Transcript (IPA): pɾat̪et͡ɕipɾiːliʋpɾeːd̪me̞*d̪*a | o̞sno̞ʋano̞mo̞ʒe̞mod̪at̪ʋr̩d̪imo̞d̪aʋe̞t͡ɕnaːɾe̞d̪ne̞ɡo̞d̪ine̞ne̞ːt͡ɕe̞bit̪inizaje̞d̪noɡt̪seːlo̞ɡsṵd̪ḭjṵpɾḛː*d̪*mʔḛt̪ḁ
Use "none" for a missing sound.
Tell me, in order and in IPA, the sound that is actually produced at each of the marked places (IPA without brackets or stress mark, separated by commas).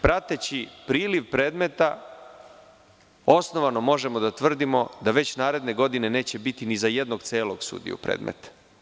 t̪, d̪